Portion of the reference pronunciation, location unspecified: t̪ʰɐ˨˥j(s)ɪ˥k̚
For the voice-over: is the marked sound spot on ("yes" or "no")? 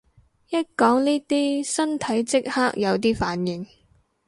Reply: no